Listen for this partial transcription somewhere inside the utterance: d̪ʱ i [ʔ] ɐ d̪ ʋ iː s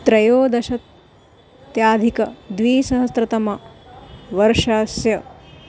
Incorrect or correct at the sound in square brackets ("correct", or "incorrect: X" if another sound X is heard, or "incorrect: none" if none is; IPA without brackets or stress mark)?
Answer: incorrect: k